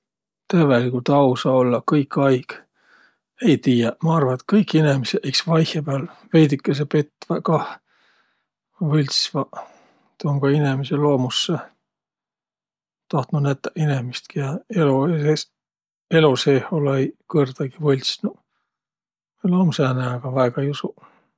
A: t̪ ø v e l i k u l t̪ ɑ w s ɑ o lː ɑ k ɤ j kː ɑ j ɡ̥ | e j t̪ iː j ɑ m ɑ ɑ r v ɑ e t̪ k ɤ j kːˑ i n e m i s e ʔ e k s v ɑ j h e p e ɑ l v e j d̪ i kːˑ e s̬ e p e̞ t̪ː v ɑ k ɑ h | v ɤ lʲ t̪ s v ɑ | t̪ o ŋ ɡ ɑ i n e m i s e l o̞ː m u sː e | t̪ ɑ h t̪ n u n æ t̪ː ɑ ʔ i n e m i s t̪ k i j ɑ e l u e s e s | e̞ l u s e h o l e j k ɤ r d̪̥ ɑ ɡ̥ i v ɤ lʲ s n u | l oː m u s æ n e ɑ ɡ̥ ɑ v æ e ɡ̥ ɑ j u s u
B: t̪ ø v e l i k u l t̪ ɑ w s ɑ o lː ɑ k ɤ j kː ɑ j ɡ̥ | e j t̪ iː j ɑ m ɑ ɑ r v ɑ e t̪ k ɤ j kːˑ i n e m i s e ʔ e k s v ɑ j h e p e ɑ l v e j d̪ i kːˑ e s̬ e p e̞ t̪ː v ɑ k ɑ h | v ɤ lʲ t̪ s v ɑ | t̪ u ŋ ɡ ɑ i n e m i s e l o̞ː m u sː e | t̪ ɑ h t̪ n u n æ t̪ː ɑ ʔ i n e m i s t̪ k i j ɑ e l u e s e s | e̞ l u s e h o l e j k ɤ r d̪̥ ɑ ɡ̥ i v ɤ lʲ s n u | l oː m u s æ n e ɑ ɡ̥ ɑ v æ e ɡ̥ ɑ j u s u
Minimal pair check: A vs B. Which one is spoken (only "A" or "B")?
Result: A